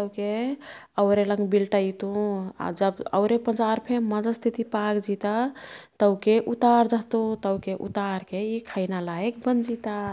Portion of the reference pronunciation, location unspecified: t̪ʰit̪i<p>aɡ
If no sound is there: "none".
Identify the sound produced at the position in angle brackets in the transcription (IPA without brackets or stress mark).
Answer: p